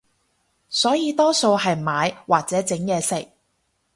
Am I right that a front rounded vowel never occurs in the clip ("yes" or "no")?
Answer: yes